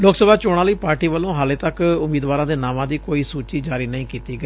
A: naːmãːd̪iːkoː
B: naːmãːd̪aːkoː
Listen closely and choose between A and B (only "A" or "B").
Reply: A